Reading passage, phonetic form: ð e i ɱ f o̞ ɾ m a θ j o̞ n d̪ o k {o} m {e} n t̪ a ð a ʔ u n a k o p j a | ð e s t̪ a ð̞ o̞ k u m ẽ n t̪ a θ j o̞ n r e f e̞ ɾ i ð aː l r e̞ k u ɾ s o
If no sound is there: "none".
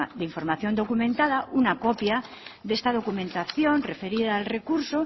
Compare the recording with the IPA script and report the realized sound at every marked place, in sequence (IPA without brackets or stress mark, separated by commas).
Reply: u, ẽ